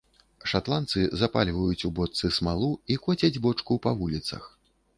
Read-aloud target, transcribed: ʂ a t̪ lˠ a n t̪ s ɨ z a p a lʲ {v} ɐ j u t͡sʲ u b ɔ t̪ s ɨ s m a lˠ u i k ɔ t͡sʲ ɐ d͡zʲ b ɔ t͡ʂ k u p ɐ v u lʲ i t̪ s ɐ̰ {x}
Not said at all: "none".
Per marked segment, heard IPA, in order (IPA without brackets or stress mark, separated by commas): v, x